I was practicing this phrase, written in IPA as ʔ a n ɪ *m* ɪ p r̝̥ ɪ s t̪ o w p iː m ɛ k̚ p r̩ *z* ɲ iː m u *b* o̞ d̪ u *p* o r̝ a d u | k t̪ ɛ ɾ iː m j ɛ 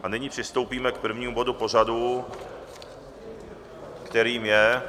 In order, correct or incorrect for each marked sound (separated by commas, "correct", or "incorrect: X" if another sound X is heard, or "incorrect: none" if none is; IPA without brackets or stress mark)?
incorrect: ɲ, incorrect: v, correct, correct